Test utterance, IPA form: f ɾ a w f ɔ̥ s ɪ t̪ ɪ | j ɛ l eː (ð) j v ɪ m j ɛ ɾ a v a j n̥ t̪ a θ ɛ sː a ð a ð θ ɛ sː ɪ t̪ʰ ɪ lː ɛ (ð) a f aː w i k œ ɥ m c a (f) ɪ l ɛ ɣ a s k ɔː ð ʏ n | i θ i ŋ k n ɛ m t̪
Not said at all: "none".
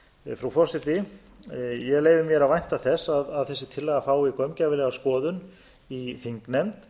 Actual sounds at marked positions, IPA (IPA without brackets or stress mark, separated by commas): none, ɣ, v